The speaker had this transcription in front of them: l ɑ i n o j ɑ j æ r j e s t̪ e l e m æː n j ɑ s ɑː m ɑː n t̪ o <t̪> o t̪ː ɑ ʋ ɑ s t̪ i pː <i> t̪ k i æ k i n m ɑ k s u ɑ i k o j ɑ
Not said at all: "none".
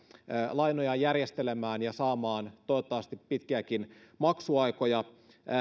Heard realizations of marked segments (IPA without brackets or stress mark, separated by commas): none, i